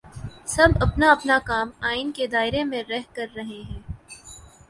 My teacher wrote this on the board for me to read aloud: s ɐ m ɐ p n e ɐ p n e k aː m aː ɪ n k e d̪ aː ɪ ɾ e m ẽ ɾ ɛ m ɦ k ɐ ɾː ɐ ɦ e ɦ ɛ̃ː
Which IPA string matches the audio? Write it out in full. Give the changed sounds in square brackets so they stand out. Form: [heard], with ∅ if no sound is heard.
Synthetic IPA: s ɐ [b] ɐ p n [a] ɐ p n [a] k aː m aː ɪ n k e d̪ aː ɪ ɾ e m ẽ ɾ ɛ [∅] ɦ k ɐ ɾː ɐ ɦ e ɦ ɛ̃ː

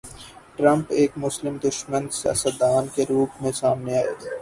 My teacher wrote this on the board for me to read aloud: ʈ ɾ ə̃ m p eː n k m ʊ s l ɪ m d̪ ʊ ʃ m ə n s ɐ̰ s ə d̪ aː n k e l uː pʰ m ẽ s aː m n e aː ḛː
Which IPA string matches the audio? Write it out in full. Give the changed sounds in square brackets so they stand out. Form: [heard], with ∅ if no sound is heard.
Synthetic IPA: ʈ ɾ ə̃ m p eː [∅] k m ʊ s l ɪ m d̪ ʊ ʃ m ə n s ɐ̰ s ə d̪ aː n k e [ɾ] uː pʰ m ẽ s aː m n e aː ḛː

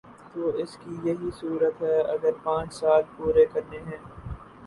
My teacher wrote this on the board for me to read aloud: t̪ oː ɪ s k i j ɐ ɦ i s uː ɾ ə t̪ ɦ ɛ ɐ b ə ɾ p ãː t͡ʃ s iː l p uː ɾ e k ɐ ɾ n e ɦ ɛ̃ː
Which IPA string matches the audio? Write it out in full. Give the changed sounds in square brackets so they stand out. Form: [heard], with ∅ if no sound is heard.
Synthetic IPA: t̪ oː ɪ s k i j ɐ ɦ i s uː ɾ ə t̪ ɦ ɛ ɐ [ɡ] ə ɾ p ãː t͡ʃ s [aː] l p uː ɾ e k ɐ ɾ n e ɦ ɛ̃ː

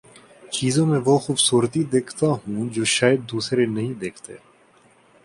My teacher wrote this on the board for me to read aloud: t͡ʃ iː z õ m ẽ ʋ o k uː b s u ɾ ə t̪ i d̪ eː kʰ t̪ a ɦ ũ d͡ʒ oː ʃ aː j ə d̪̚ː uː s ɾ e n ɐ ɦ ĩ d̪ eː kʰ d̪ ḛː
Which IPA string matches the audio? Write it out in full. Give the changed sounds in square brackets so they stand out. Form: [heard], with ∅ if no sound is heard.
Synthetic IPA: t͡ʃ iː z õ m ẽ ʋ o [x] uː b s [uː] ɾ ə t̪ i d̪ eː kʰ t̪ a ɦ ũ d͡ʒ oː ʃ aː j ə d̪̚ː uː s ɾ e n ɐ ɦ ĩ d̪ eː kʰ [t̪] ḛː

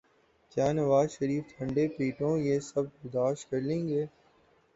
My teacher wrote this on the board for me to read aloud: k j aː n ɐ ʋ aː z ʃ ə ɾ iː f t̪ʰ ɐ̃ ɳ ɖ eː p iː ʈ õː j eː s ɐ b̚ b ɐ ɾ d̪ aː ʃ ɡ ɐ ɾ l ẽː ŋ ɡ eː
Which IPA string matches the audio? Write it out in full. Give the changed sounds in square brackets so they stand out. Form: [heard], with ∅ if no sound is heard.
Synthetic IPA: k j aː n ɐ ʋ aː z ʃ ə ɾ iː f t̪ʰ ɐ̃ ɳ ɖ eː p iː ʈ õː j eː s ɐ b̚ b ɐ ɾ d̪ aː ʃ [k] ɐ ɾ l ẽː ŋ ɡ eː

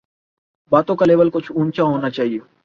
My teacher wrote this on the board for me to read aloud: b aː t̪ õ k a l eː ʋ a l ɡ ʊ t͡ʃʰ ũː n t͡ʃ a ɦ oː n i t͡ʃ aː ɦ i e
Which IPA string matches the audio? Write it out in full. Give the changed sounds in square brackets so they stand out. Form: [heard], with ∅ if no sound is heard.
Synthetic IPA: b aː t̪ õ k a l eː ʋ [ə] l [k] ʊ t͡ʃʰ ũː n t͡ʃ a ɦ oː n [a] t͡ʃ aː ɦ i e

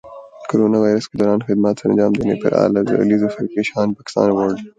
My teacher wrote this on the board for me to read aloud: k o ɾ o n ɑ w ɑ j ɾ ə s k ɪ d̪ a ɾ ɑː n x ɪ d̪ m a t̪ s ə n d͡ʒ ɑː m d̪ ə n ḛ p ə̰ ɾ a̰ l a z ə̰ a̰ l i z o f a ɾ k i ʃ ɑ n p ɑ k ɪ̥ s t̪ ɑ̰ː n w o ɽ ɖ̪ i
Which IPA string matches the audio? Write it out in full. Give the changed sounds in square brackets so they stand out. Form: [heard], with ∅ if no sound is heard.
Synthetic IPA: k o ɾ o n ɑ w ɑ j ɾ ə s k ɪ d̪ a ɾ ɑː n x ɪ d̪ m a t̪ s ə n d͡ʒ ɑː m d̪ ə n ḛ p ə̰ ɾ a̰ l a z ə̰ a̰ l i z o f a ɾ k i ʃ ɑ n p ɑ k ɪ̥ s t̪ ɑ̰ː n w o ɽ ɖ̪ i

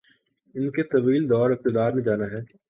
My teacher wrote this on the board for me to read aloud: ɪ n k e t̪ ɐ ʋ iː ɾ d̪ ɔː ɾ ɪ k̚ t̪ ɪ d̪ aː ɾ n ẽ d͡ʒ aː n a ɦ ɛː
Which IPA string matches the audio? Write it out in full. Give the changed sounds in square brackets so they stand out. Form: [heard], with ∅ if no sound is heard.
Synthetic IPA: ɪ n k e t̪ ɐ ʋ iː [l] d̪ ɔː ɾ ɪ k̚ t̪ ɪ d̪ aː ɾ [m] ẽ d͡ʒ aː n a ɦ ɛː

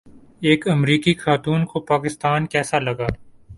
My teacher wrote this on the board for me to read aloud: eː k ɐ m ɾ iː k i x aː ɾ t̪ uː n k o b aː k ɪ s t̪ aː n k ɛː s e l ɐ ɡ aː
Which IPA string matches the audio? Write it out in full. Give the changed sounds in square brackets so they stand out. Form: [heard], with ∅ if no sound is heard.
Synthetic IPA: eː k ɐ m ɾ iː k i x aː [∅] t̪ uː n k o [p] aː k ɪ s t̪ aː n k ɛː s [a] l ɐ ɡ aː

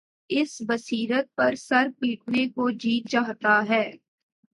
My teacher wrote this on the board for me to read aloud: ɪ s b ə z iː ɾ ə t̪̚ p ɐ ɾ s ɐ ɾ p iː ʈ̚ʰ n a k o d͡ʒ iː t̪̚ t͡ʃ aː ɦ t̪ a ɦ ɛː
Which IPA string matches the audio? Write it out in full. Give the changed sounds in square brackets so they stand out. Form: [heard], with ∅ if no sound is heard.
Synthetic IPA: ɪ s b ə [s] iː ɾ ə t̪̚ p ɐ ɾ s ɐ ɾ p iː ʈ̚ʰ n [e] k o d͡ʒ iː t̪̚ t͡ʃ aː ɦ t̪ a ɦ ɛː

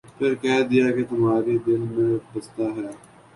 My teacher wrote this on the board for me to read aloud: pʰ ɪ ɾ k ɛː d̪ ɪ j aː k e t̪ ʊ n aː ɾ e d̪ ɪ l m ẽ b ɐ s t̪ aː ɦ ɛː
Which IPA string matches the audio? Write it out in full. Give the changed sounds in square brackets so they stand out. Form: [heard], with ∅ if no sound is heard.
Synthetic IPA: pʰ ɪ ɾ k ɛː d̪ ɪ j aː k e t̪ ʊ [m] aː ɾ e d̪ ɪ l m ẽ b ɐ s t̪ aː ɦ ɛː

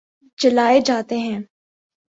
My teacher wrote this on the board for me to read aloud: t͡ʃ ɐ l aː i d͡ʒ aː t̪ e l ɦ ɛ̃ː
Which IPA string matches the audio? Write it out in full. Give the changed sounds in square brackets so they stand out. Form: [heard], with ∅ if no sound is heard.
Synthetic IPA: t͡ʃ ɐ l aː [e] d͡ʒ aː t̪ e [∅] ɦ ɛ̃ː

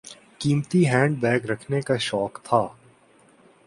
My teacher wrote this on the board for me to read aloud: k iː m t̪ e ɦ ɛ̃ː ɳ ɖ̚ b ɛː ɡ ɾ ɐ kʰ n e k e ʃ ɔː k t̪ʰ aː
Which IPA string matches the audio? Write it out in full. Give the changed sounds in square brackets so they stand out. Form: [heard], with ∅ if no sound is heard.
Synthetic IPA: k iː m t̪ [i] ɦ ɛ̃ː ɳ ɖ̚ b ɛː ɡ ɾ ɐ kʰ n e k [a] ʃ ɔː k t̪ʰ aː

